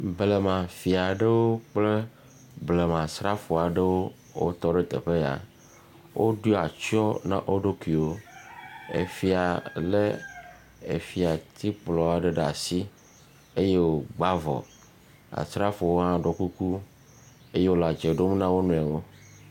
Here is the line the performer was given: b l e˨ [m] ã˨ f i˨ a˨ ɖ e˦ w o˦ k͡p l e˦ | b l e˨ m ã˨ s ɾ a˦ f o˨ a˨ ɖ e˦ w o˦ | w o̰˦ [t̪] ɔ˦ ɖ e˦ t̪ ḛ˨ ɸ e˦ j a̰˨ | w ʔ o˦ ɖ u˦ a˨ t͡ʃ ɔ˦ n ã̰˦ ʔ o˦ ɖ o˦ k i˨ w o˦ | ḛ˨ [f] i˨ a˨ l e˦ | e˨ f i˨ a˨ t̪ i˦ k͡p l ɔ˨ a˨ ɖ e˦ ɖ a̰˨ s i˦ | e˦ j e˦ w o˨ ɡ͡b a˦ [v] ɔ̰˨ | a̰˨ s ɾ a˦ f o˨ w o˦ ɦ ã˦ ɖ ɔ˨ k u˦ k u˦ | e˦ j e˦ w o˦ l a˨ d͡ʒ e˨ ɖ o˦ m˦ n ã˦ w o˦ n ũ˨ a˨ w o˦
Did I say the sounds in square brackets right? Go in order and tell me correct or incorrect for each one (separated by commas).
correct, correct, correct, correct